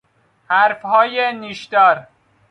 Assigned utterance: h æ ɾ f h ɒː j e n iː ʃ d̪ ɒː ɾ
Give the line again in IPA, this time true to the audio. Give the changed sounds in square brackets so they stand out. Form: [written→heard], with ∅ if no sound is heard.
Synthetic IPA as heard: h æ ɾ f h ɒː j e n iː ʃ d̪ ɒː ɾ

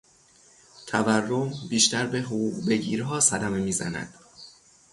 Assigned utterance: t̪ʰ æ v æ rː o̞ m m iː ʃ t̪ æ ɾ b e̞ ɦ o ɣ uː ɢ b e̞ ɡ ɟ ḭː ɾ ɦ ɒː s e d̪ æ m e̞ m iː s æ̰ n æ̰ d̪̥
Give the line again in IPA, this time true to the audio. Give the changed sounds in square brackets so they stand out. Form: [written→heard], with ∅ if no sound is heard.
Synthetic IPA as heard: t̪ʰ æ v æ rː o̞ m [m→b] iː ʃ t̪ æ ɾ b e̞ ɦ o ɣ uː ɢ b e̞ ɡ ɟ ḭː ɾ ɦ ɒː s [e→æ] d̪ æ m e̞ m iː [s→z] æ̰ n æ̰ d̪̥

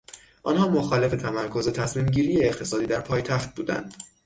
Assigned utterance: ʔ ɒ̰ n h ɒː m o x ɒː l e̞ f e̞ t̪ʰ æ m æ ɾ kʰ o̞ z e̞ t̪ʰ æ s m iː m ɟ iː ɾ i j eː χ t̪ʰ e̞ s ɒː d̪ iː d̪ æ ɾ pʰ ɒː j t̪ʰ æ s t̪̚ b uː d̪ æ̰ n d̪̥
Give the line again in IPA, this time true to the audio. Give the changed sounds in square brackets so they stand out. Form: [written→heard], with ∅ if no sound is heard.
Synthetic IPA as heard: ʔ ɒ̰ n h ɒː m o x ɒː l e̞ f e̞ t̪ʰ æ m æ ɾ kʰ o̞ z e̞ t̪ʰ æ s m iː m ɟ iː ɾ i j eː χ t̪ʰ e̞ s ɒː d̪ iː d̪ æ ɾ pʰ ɒː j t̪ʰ æ [s→x] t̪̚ b uː d̪ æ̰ n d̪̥

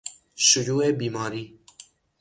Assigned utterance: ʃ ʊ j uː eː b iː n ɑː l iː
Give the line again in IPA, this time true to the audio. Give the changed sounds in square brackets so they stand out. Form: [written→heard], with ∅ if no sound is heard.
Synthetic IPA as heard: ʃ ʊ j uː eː b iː [n→m] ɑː [l→ɾ] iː

